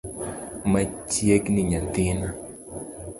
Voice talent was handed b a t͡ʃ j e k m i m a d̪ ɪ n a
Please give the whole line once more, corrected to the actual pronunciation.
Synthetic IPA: m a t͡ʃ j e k n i ɲ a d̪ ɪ n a